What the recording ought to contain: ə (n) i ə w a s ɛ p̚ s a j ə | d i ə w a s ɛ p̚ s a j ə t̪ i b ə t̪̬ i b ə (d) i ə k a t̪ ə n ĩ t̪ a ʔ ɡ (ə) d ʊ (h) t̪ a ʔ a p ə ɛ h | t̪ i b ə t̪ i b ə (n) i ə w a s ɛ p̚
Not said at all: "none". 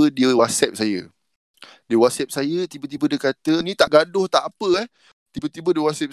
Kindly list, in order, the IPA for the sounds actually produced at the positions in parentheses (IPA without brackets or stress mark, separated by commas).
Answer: d, d, a, h, d